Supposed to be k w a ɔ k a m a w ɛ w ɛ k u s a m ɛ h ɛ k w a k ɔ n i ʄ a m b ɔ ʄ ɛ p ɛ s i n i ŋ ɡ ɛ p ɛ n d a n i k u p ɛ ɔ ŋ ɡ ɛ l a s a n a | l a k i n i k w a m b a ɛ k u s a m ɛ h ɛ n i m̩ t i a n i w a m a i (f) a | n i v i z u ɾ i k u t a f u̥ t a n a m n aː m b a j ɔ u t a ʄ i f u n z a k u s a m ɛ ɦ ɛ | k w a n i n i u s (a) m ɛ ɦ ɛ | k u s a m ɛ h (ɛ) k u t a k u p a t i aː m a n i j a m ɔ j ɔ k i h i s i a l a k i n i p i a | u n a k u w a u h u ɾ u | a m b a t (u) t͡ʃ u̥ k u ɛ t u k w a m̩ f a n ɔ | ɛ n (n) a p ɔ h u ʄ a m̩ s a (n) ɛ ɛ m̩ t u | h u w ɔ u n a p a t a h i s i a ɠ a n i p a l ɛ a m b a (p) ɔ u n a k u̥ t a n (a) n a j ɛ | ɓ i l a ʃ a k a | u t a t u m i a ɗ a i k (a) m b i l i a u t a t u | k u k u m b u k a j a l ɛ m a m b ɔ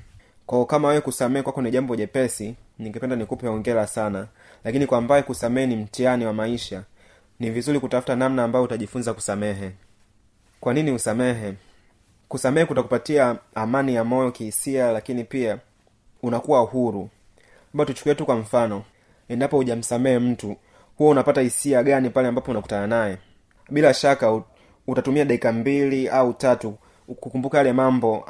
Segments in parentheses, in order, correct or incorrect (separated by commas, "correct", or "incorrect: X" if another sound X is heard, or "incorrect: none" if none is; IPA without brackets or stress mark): incorrect: ʃ, correct, correct, correct, incorrect: d, incorrect: m, correct, correct, correct